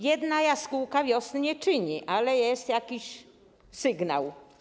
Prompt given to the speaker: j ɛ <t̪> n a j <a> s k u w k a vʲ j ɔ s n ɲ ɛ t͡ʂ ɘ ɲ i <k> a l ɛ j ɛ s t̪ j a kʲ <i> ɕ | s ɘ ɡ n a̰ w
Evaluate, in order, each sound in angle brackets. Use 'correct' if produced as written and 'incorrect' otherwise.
incorrect, correct, incorrect, correct

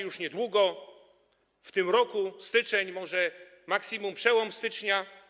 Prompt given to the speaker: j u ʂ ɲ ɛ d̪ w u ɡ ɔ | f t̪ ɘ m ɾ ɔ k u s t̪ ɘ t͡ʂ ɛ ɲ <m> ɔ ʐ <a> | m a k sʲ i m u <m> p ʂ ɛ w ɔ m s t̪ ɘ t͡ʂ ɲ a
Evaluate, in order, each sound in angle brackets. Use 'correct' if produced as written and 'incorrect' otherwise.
correct, incorrect, correct

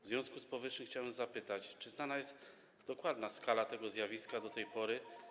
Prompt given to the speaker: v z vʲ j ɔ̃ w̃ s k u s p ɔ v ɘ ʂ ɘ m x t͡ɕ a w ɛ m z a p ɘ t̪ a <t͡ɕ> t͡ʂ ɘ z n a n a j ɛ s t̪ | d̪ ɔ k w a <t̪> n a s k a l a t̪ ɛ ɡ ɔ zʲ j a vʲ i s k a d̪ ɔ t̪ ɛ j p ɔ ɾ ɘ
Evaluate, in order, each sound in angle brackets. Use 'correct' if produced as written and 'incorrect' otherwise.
correct, incorrect

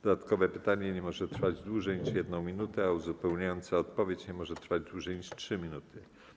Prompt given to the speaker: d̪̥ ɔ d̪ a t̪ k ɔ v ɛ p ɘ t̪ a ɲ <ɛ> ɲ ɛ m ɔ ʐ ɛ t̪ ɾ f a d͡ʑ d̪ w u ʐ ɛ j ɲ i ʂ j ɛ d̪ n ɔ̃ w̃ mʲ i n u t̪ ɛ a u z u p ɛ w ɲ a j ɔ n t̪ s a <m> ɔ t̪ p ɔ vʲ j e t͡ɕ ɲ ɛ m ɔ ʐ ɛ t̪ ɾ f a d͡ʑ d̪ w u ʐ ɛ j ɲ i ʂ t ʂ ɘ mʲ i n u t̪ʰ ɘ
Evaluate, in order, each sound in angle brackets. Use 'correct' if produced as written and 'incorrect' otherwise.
correct, incorrect

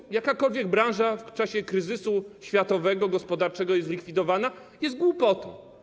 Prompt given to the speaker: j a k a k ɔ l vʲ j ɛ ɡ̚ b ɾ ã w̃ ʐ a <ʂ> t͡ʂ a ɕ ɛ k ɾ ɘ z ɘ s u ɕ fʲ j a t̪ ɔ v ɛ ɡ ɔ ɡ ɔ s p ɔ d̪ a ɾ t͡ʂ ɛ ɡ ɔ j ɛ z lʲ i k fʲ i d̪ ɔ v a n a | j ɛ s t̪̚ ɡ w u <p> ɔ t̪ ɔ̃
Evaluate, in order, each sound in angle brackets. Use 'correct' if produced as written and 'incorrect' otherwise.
incorrect, correct

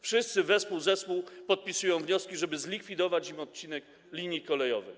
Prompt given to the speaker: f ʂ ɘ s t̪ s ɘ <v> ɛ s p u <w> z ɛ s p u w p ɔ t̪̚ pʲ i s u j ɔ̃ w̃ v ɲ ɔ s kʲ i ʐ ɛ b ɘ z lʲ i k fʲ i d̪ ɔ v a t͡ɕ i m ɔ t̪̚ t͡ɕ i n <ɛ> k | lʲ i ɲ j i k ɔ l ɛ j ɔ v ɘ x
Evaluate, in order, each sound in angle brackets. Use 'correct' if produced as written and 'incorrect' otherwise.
correct, correct, correct

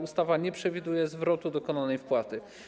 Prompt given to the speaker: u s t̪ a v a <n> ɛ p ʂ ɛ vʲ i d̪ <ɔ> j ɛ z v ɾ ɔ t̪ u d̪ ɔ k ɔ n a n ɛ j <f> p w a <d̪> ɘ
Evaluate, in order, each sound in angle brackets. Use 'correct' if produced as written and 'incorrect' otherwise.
incorrect, incorrect, correct, incorrect

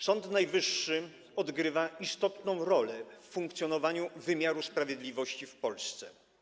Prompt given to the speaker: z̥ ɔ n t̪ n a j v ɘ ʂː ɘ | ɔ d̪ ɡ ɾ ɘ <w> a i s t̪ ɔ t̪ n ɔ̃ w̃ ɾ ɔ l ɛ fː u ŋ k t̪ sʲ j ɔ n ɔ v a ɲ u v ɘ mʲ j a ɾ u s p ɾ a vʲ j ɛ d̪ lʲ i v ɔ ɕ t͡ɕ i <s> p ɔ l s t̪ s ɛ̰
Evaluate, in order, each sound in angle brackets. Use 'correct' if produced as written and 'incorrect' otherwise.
incorrect, incorrect

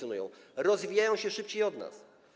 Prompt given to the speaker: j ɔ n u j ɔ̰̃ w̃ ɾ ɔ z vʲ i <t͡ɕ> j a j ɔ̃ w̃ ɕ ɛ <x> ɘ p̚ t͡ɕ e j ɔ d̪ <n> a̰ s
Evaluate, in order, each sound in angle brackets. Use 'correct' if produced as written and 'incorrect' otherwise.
incorrect, incorrect, correct

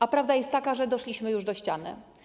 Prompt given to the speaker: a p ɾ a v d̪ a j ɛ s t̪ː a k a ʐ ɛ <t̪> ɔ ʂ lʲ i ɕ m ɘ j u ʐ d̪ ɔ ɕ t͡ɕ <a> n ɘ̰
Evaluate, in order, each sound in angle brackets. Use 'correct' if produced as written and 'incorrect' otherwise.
incorrect, correct

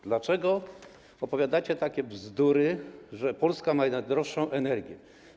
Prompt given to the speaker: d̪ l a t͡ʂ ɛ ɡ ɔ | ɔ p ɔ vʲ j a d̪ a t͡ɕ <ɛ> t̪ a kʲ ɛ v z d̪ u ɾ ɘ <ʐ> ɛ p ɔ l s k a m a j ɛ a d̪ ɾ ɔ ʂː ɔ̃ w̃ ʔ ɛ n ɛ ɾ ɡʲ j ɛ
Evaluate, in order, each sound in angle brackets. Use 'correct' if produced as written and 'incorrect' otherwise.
correct, correct

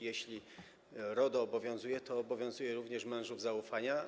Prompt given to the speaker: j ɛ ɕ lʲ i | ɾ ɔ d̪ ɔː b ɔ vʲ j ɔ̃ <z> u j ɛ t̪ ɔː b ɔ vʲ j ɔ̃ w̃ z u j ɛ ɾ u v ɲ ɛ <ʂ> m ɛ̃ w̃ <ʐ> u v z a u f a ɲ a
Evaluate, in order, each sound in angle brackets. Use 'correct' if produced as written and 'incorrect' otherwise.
correct, correct, correct

